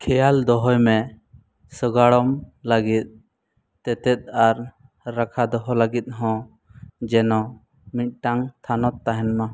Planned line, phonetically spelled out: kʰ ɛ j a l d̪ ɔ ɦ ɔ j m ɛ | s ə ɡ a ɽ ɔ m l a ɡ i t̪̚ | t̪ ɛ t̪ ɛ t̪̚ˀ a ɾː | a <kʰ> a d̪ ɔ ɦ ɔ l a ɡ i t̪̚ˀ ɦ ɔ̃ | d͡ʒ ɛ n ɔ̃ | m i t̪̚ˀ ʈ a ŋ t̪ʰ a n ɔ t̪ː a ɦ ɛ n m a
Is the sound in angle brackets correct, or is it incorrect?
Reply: correct